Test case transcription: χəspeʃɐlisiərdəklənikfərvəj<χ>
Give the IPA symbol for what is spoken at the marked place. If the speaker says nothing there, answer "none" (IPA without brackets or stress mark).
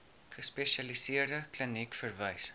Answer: s